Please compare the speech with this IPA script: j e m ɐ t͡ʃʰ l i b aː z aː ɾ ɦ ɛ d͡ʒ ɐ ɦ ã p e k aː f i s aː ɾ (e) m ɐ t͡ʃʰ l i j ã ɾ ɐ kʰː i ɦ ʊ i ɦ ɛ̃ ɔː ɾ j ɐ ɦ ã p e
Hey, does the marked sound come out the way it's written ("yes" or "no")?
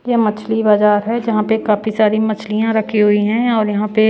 no